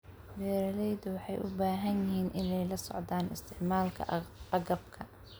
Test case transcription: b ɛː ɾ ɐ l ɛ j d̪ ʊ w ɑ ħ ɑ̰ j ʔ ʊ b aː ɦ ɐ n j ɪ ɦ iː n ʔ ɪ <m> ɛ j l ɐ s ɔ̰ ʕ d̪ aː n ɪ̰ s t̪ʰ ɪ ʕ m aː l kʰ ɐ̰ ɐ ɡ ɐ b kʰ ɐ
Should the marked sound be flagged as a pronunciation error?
yes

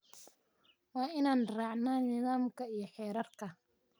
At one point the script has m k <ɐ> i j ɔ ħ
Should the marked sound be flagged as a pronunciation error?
no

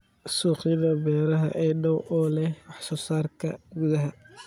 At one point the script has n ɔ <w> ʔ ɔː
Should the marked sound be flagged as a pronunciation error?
no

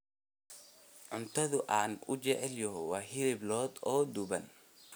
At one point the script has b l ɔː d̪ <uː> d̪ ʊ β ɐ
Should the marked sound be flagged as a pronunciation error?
yes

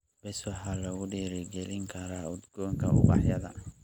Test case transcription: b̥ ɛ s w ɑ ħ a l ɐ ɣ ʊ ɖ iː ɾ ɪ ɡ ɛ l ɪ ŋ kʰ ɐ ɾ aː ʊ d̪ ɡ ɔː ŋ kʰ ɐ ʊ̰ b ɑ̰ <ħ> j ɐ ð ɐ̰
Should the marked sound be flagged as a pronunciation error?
no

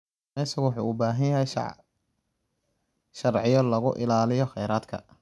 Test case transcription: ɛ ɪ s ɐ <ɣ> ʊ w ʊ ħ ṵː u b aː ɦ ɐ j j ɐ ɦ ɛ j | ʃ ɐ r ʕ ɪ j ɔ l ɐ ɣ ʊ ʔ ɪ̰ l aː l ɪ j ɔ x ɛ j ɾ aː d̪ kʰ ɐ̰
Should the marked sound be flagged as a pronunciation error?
no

